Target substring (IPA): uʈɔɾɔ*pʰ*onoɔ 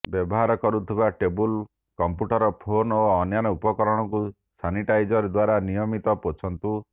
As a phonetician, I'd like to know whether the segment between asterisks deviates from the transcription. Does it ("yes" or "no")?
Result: no